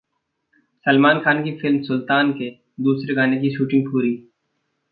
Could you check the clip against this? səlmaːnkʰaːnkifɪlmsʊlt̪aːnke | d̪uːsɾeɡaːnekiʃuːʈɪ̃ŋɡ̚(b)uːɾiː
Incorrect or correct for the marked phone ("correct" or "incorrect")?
incorrect